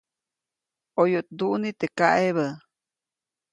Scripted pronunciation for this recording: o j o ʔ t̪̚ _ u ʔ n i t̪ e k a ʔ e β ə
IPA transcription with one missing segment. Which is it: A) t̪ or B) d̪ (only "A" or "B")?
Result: B